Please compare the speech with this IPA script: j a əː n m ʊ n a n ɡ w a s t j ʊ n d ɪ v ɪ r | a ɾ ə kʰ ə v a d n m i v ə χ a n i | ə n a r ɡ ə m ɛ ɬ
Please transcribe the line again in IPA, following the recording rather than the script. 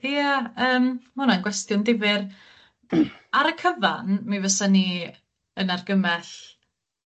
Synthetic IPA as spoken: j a əː m m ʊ n a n ɡ w ɛ s t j ʊ n d ɪ v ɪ r | a ɾ ə kʰ ə v a n m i v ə s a n i | ə n a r ɡ ə m ɛ ɬ

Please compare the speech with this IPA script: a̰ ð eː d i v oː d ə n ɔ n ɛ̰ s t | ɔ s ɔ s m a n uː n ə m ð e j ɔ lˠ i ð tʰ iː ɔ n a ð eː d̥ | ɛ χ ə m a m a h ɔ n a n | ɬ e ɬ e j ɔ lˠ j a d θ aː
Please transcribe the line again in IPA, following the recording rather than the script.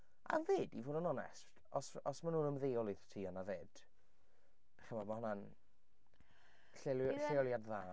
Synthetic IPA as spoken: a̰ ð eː d i v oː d ə n ɔ n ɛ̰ s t | ɔ s ɔ s m a n uː n ə m ð e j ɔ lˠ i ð tʰ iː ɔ n a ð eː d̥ | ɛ χ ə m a m a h ɔ n a n | ɬ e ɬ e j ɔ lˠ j a d ð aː

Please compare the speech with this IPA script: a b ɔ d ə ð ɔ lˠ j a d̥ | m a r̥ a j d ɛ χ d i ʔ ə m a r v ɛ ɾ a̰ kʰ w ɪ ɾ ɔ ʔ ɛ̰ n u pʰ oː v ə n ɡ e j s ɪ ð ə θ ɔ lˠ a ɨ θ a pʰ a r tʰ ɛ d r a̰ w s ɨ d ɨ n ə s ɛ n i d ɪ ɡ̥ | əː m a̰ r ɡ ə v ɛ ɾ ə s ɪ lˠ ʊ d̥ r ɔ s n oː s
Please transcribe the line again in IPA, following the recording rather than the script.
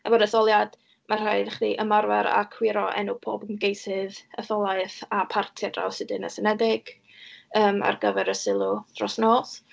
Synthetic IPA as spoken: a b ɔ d ə θ ɔ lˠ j a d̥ | m a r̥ a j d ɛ χ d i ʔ ə m a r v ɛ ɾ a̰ kʰ w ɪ ɾ ɔ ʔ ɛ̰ n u pʰ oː b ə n ɡ e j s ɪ ð ə θ ɔ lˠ a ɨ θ a pʰ a r tʰ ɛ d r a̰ w s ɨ d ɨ n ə s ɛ n ɛ d ɪ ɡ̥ | əː m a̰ r ɡ ə v ɛ ɾ ə s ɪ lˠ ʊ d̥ r ɔ s n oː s

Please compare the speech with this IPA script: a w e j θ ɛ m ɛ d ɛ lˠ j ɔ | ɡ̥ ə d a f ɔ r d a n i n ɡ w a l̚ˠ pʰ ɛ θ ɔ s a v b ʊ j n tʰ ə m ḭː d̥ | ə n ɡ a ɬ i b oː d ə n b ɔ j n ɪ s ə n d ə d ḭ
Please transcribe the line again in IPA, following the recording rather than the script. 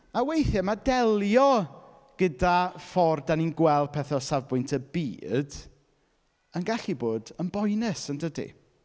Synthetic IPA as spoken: a w e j θ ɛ m a d ɛ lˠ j ɔ | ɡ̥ ə d a f ɔ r d a n i n ɡ w ɛ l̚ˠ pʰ ɛ θ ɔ s a v b ʊ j n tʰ ə b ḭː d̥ | ə n ɡ a ɬ i b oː d ə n b ɔ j n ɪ s ə n d ə d ḭ

